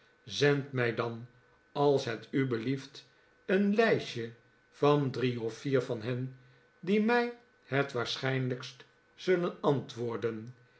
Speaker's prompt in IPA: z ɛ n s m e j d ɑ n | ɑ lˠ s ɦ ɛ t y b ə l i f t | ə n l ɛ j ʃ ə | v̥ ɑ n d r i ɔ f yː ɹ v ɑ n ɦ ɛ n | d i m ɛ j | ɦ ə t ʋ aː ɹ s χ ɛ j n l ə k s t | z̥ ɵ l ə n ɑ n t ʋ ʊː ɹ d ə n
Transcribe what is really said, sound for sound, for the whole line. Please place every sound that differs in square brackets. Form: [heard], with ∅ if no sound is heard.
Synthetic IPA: z ɛ n [t] m [ɛ] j d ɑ n | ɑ lˠ s ɦ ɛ t y b ə l i f t | ə n l ɛ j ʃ ə | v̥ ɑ n d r i ɔ f [iː] ɹ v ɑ n ɦ ɛ n | d i m ɛ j | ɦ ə t ʋ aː ɹ s χ ɛ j n l ə k s t | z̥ ɵ l ə n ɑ n t ʋ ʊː ɹ d ə n